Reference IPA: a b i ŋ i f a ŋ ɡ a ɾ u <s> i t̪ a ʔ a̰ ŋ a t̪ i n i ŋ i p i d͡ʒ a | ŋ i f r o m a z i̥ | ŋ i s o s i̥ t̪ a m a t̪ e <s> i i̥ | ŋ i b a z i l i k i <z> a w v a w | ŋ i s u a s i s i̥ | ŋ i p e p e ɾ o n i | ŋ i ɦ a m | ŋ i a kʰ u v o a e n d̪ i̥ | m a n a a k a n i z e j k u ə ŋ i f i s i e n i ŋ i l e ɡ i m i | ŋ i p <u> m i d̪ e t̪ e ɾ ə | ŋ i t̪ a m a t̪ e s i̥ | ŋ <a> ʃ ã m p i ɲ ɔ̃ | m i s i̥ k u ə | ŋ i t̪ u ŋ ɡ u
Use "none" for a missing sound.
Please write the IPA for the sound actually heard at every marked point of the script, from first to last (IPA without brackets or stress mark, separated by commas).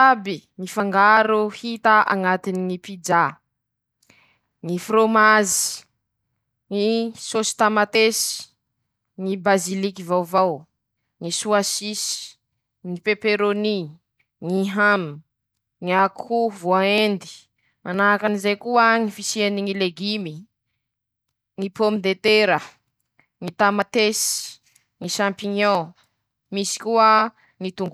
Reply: h, s, v, o, i